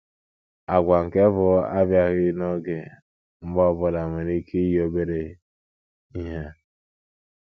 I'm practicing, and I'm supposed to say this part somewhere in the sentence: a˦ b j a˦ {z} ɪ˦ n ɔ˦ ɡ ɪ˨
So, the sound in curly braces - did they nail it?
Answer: no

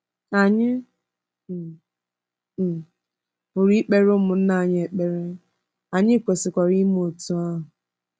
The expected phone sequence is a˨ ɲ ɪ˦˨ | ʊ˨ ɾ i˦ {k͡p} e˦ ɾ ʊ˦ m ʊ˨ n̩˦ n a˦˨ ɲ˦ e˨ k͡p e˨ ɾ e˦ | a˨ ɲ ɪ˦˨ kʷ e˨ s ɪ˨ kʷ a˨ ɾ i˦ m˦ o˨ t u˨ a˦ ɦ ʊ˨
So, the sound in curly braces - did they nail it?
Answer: yes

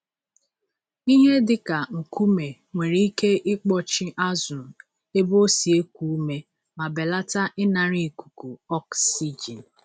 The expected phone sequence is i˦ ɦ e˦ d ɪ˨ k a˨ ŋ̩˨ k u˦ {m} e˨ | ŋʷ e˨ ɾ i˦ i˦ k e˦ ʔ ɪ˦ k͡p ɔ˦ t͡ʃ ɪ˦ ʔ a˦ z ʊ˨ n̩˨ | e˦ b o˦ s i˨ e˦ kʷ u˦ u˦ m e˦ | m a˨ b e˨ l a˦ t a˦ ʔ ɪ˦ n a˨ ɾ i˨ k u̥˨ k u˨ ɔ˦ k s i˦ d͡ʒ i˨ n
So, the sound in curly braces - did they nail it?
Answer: yes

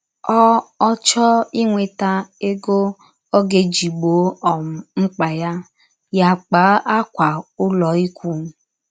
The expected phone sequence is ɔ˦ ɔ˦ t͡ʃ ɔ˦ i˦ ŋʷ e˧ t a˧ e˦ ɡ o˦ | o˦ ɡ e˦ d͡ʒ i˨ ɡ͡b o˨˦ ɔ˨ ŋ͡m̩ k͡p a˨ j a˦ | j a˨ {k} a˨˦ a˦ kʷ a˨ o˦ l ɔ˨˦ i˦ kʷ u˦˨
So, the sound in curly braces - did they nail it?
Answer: no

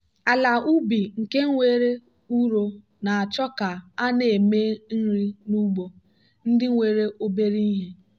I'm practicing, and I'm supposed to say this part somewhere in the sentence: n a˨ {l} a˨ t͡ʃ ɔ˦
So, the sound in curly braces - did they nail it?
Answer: no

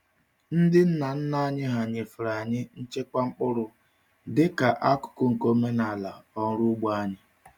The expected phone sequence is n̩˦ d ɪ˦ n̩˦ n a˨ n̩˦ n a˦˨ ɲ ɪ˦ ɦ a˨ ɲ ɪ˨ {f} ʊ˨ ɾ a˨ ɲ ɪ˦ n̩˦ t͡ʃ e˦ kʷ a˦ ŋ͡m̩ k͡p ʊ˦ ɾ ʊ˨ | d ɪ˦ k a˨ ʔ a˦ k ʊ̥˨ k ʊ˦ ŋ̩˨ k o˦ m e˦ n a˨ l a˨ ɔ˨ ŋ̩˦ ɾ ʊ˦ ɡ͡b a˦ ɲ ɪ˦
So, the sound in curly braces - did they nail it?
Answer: yes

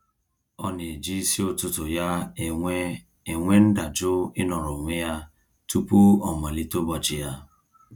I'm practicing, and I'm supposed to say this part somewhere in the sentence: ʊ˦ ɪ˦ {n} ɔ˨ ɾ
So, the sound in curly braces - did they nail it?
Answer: yes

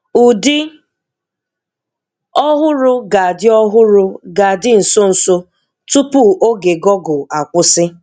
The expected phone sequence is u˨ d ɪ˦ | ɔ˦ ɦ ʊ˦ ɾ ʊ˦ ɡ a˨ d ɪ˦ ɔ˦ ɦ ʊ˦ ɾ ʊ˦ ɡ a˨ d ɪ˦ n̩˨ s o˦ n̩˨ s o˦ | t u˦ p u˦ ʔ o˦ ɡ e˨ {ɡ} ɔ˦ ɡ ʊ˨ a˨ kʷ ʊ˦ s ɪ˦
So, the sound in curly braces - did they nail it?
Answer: yes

